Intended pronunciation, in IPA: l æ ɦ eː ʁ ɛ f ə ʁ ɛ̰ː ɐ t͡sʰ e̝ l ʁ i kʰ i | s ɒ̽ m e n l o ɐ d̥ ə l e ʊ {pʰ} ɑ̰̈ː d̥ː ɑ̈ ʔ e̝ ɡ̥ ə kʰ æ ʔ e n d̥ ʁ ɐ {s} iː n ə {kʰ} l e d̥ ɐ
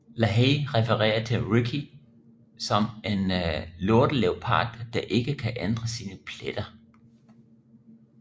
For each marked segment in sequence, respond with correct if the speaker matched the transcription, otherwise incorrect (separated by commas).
correct, correct, incorrect